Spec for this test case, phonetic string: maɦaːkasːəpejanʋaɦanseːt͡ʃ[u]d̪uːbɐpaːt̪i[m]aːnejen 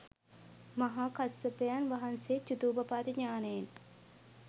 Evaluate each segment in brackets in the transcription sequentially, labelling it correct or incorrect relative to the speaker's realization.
correct, incorrect: ɲ

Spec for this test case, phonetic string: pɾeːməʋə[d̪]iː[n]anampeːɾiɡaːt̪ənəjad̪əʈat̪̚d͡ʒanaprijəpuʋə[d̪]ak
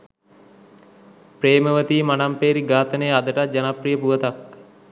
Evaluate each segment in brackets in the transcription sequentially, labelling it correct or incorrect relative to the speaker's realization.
incorrect: t̪, incorrect: m, incorrect: t̪

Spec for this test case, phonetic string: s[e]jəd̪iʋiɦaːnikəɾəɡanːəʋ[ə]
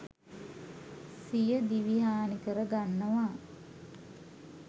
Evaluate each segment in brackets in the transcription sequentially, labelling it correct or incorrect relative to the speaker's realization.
incorrect: i, incorrect: a

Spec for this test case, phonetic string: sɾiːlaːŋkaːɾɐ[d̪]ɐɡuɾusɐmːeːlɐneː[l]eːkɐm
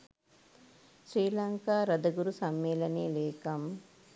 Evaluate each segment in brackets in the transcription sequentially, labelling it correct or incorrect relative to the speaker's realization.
correct, correct

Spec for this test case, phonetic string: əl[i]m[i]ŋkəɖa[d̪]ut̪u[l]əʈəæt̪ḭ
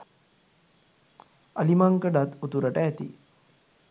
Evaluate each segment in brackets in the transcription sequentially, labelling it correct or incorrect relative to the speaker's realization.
correct, incorrect: a, incorrect: t̪, incorrect: ɾ

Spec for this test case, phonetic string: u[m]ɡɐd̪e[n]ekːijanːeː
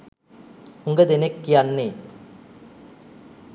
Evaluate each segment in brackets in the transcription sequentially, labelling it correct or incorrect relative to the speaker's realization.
incorrect: ŋ, correct

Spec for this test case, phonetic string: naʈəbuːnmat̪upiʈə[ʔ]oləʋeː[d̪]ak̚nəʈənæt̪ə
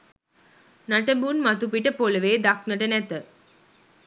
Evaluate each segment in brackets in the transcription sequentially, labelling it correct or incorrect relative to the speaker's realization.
incorrect: p, correct

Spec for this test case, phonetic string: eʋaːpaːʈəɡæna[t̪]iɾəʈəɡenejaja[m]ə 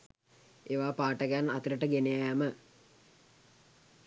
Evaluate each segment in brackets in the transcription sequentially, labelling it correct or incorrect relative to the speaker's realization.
correct, correct

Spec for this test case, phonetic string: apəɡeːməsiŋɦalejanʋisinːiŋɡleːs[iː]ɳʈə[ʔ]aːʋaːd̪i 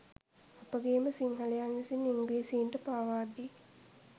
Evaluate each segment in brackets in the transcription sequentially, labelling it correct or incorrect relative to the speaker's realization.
correct, incorrect: p

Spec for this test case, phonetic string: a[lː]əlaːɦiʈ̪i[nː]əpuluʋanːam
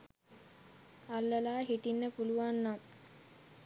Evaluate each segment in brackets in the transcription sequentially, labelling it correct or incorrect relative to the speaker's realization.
correct, correct

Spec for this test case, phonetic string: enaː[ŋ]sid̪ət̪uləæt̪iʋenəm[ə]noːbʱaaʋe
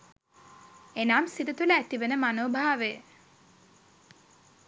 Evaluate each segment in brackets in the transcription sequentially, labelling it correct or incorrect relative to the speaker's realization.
incorrect: m, incorrect: a

